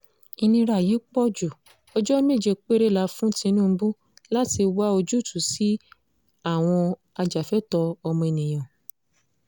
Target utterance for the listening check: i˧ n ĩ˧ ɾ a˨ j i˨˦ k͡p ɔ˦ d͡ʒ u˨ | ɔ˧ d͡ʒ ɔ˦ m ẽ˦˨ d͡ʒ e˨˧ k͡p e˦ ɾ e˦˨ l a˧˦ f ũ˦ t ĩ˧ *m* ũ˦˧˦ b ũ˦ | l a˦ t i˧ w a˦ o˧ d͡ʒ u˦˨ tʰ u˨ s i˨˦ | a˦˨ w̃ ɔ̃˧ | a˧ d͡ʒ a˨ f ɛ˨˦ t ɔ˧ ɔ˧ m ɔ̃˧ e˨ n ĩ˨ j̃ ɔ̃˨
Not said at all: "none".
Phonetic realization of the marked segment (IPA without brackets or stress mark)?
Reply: n